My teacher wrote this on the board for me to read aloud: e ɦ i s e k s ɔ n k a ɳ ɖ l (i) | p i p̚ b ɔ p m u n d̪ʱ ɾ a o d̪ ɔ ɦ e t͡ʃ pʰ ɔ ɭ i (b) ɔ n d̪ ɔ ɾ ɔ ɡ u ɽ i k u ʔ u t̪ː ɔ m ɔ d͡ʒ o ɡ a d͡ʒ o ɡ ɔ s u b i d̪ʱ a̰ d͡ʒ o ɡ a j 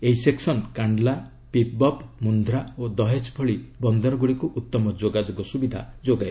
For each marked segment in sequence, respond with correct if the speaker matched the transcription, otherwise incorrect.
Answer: incorrect: a, correct

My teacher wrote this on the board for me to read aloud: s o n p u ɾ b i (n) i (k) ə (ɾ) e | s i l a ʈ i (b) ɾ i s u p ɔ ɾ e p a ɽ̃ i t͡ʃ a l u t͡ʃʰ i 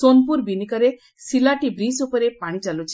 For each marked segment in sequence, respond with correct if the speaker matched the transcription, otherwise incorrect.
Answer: correct, correct, correct, correct

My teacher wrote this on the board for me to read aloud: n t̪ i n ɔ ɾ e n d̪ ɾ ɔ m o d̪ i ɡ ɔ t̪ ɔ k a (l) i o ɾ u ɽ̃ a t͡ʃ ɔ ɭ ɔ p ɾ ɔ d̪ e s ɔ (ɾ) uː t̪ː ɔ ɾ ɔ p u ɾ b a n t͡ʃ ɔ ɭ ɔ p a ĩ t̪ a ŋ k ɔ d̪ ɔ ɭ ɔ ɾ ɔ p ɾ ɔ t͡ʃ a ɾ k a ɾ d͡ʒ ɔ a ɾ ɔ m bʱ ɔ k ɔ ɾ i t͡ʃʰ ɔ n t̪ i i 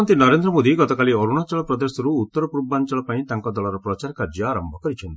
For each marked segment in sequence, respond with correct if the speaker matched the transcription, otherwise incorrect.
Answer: correct, correct

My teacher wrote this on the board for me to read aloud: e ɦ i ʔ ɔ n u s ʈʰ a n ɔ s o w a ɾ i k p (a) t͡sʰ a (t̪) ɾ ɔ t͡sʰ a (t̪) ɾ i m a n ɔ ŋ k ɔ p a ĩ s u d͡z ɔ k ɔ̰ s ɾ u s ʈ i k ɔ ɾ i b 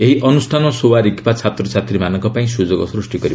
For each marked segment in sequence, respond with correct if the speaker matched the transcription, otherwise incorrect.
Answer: correct, correct, correct

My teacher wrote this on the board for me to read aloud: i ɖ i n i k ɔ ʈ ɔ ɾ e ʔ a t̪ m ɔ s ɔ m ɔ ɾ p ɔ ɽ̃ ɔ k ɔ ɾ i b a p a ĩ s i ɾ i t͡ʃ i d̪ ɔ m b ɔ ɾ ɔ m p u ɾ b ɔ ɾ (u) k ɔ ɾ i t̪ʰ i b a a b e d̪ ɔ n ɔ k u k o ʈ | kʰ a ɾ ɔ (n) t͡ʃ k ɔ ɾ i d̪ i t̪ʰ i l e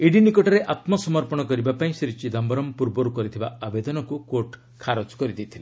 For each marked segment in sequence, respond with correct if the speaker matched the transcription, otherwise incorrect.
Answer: correct, incorrect: none

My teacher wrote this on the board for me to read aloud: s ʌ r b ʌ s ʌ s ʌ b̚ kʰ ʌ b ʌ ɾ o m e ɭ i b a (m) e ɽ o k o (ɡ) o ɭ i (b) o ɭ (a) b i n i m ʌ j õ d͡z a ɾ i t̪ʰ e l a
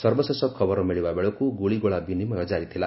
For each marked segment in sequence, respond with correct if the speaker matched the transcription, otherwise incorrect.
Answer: incorrect: b, correct, incorrect: ɡ, correct

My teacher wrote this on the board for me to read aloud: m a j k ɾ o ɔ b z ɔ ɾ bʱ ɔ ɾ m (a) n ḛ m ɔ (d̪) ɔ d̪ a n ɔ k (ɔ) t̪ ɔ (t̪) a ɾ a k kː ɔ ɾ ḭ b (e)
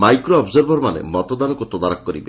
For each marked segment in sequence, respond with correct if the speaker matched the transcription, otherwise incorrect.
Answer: correct, incorrect: t̪, incorrect: u, incorrect: d̪, correct

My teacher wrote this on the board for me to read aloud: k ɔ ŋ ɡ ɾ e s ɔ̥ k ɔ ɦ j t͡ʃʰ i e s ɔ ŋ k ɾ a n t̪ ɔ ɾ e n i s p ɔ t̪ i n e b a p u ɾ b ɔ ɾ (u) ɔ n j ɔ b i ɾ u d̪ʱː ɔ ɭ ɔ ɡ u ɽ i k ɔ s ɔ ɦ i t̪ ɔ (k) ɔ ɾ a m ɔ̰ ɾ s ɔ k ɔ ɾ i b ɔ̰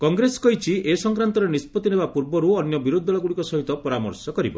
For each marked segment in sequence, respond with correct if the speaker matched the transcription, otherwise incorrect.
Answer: correct, incorrect: p

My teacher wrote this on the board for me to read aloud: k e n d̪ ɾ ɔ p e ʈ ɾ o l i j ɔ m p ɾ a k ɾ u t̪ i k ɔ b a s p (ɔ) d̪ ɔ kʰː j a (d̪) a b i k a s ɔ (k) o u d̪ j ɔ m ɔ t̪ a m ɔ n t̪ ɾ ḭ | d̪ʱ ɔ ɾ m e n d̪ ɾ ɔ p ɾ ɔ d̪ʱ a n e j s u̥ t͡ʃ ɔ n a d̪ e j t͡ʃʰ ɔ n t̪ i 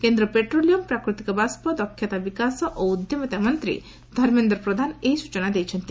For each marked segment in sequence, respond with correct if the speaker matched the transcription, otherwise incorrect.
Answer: correct, incorrect: t̪, incorrect: ʔ

